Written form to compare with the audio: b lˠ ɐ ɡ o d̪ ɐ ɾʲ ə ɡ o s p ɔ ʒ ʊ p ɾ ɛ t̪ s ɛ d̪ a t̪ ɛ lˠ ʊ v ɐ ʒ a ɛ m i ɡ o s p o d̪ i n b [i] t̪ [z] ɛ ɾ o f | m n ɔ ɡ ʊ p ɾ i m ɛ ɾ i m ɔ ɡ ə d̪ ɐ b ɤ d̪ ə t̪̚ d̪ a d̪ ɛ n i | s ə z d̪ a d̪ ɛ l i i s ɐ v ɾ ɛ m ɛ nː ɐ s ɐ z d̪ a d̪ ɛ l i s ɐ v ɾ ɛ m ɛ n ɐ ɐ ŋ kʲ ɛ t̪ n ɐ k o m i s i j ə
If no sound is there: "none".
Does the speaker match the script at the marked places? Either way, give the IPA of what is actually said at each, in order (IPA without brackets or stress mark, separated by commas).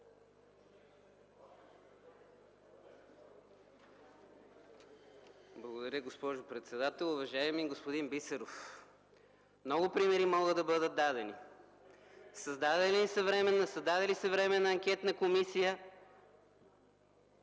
i, s